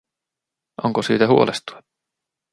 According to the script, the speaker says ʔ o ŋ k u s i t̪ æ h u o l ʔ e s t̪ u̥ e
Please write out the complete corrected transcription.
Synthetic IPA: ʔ o ŋ k o s iː t̪ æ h u o l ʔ e s t̪ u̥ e